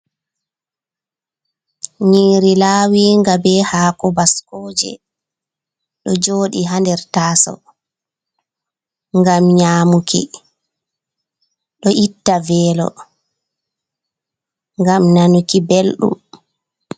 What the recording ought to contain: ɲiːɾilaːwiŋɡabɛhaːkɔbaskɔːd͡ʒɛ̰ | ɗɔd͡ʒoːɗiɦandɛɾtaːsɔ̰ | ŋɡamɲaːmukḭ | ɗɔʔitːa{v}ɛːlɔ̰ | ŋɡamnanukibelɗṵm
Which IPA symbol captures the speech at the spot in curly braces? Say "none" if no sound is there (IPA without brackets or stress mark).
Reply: v